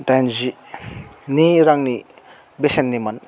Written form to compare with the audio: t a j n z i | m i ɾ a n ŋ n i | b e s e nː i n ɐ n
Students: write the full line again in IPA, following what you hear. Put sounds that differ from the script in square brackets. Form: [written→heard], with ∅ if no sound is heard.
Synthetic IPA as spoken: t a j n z i | [m→n] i ɾ a [n→∅] ŋ n i | b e s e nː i [n→m] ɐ n